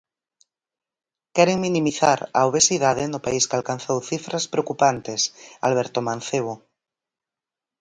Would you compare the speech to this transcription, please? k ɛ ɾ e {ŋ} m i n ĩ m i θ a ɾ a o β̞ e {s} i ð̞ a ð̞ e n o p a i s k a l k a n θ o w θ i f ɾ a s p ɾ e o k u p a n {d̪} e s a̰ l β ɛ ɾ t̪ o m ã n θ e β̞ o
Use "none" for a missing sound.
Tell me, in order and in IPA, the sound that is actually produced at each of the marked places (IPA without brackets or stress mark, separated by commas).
ŋ, s, t̪